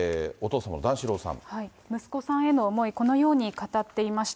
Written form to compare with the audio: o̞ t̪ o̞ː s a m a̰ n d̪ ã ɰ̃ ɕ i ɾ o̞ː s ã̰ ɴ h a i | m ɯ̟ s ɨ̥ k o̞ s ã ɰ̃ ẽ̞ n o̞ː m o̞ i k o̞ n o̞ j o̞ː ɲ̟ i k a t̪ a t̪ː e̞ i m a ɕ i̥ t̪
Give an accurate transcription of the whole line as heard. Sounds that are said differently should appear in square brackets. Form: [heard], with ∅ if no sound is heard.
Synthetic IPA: o̞ t̪ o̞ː s a m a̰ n d̪ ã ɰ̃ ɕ i ɾ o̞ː s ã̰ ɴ h a i | m ɯ̟ s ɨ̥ k o̞ s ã ɰ̃ [e̞] n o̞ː m o̞ i k o̞ n o̞ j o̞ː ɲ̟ i k a t̪ a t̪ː e̞ i m a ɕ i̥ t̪